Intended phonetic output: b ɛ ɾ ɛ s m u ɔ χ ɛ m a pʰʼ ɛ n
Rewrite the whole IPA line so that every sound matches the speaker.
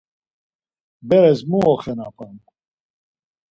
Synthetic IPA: b ɛ ɾ ɛ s m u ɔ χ ɛ n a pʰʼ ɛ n